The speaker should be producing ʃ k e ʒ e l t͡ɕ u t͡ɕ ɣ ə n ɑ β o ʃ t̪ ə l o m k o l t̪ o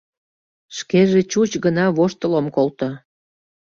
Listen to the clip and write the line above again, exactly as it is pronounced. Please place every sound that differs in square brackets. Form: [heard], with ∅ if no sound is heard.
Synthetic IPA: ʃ k e ʒ e [∅] t͡ɕ u t͡ɕ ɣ ə n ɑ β o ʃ t̪ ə l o m k o l t̪ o

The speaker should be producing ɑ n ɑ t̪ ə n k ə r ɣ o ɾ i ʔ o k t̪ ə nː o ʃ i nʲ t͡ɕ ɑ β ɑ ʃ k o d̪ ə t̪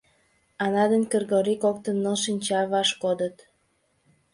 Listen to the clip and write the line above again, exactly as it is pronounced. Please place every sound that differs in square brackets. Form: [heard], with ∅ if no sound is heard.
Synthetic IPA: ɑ n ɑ [d̪] ə n k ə r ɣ o ɾ i [k] o k t̪ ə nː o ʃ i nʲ t͡ɕ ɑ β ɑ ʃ k o d̪ ə t̪

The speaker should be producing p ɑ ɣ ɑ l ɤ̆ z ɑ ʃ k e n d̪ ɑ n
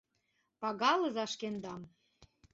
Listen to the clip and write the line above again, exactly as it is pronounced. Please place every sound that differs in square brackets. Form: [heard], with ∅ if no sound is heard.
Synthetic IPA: p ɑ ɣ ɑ l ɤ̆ z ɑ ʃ k e n d̪ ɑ [m]

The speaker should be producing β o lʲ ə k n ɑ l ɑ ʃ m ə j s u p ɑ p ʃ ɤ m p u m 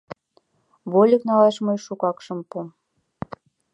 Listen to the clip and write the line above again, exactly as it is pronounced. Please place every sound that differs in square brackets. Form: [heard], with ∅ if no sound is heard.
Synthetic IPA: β o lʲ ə k n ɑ l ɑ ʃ m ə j [ʃ] u [k] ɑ [k] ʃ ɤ m p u m

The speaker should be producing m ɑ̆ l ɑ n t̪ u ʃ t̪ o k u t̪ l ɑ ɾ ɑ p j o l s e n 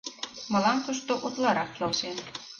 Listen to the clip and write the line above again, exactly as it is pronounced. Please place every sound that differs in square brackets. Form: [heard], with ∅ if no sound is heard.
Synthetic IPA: m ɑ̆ l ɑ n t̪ u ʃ t̪ o [ʔ] u t̪ l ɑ ɾ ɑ [k] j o l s e n

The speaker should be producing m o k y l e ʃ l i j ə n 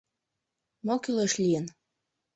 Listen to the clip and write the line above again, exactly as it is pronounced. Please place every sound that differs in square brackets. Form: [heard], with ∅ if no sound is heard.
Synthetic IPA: m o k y l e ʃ l i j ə n

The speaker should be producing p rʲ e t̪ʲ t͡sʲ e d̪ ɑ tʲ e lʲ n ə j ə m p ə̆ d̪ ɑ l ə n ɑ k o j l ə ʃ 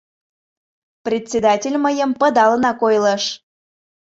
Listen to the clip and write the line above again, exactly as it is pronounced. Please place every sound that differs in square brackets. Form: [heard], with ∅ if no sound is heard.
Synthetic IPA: p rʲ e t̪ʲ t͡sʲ e d̪ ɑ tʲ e lʲ [m] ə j ə m p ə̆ d̪ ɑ l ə n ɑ k o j l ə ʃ

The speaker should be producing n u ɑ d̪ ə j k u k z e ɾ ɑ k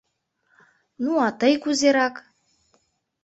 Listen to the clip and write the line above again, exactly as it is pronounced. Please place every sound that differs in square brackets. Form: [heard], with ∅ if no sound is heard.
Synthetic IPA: n u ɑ [t̪] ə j k u [∅] z e ɾ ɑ k

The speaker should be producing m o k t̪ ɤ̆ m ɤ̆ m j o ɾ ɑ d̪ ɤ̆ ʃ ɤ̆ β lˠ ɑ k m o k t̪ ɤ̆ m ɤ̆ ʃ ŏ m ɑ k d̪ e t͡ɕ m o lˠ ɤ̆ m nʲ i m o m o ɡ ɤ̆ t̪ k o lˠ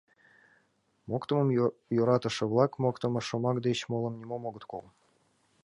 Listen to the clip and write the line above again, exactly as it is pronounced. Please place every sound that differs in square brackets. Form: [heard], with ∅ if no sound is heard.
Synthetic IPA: m o k t̪ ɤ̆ m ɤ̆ m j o ɾ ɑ [t̪] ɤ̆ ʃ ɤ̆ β lˠ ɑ k m o k t̪ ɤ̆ m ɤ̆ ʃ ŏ m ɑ k d̪ e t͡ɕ m o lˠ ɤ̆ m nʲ i m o m o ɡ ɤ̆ t̪ k o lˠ

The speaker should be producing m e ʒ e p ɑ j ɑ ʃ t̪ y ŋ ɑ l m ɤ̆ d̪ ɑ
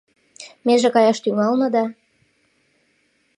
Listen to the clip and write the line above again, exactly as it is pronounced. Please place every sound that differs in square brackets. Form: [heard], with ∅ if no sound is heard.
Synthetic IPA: m e ʒ e [k] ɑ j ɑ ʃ t̪ y ŋ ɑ l [n] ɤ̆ d̪ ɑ

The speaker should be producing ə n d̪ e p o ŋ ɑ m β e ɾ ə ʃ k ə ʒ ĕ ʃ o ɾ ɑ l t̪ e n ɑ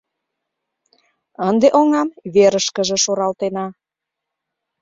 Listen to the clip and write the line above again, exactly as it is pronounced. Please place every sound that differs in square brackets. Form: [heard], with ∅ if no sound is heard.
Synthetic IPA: ə n d̪ e [ʔ] o ŋ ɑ m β e ɾ ə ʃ k ə ʒ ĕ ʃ o ɾ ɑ l t̪ e n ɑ

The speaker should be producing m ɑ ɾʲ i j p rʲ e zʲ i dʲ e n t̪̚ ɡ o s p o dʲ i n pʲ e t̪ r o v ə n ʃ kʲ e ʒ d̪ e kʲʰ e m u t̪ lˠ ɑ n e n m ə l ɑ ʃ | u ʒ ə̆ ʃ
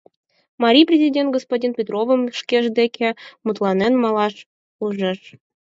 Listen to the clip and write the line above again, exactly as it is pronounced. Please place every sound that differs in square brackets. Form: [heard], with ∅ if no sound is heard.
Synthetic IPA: m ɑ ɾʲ i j p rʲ e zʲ i dʲ e n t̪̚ ɡ o s p o dʲ i n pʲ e t̪ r o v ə [m] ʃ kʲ e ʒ d̪ e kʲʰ e m u t̪ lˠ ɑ n e n m [ɑ] l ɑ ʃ | u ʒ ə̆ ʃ

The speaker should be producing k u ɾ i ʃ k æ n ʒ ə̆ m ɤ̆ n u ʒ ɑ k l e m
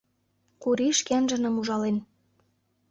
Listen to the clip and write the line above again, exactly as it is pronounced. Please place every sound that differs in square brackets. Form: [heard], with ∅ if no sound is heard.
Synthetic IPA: k u ɾ i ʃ k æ n ʒ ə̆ [n] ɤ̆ [m] u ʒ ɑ [∅] l e [n]

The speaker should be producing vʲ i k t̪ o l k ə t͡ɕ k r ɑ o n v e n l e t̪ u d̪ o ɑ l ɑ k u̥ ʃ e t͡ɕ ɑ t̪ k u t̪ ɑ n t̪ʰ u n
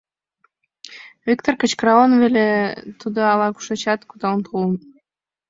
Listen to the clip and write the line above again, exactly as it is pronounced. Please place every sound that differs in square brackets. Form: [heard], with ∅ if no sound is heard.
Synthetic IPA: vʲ i k t̪ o [r] k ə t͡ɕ k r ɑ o n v e [∅] l e t̪ u d̪ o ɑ l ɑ k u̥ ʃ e t͡ɕ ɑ t̪ k u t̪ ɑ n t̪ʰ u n

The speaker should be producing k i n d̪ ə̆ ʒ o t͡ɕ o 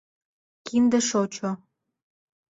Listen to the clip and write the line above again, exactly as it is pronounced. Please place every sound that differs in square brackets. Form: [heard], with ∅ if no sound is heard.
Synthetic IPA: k i n d̪ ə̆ [ʃ] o t͡ɕ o

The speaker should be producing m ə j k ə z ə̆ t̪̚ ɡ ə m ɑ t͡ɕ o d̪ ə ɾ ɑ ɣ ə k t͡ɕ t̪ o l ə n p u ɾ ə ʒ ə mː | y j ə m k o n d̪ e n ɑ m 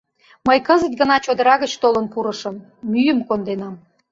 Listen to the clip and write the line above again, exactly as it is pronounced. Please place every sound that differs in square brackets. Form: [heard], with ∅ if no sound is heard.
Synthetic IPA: m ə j k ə z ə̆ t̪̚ ɡ ə [n] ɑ t͡ɕ o d̪ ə ɾ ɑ ɣ ə [∅] t͡ɕ t̪ o l ə n p u ɾ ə [ʃ] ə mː | y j ə m k o n d̪ e n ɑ m

